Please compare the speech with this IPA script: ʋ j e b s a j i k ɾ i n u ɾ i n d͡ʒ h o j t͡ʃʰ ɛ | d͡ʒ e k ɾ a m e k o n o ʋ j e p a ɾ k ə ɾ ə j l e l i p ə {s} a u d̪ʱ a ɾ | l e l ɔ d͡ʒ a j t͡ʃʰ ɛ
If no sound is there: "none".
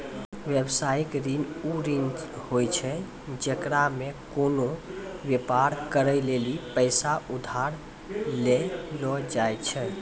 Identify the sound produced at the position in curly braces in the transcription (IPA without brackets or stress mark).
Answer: s